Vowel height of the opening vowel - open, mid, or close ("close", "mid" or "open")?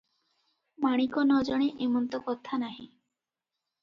open